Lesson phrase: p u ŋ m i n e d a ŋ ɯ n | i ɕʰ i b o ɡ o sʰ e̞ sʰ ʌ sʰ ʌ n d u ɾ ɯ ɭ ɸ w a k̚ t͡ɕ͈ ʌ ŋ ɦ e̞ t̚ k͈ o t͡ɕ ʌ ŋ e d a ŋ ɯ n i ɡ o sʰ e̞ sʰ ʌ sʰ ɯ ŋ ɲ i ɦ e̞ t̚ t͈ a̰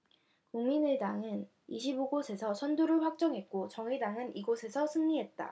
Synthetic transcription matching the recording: k u ŋ m i n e d a ŋ ɯ n | i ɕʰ i b o ɡ o sʰ e̞ sʰ ʌ sʰ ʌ n d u ɾ ɯ ɭ ɸ w a k̚ t͡ɕ͈ ʌ ŋ ɦ e̞ t̚ k͈ o t͡ɕ ʌ ŋ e d a ŋ ɯ n i ɡ o sʰ e̞ sʰ ʌ sʰ ɯ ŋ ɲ i ɦ e̞ t̚ t͈ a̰